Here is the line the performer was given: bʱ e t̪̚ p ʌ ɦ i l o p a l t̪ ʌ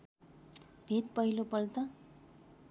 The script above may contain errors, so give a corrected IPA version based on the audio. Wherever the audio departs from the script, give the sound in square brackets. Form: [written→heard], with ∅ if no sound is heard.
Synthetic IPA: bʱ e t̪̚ p ʌ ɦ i l o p [a→ʌ] l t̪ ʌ